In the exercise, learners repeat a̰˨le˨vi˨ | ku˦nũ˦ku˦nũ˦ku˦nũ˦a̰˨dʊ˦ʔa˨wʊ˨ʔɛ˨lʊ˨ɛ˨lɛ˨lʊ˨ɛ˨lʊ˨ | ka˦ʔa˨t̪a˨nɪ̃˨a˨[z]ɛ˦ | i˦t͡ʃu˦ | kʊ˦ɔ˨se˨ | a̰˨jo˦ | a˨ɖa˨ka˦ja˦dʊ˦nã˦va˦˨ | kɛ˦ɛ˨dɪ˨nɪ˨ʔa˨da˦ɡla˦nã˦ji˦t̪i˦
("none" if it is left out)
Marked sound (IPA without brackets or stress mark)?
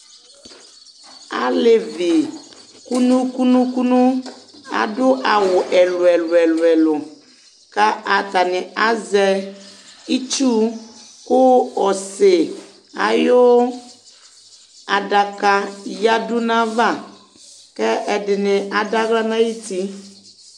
z